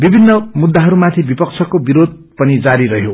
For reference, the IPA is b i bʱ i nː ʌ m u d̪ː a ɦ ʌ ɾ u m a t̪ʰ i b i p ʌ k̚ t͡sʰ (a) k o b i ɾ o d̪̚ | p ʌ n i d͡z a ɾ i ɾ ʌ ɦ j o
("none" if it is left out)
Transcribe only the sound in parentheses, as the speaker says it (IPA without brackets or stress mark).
ʌ